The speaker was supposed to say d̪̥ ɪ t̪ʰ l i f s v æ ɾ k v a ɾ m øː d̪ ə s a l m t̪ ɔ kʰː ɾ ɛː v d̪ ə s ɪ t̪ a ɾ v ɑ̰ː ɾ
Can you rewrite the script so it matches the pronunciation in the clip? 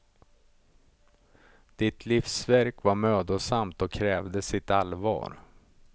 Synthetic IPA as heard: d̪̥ ɪ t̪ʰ l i f s v æ ɾ k v a ɾ m øː d̪ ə s a m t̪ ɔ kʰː ɾ ɛː v d̪ ə s ɪ t̪ a l v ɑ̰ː ɾ